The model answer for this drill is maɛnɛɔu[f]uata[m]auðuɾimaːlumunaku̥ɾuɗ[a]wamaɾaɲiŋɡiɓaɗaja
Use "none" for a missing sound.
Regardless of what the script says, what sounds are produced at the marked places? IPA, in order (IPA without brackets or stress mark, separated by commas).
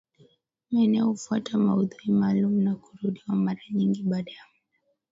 f, m, i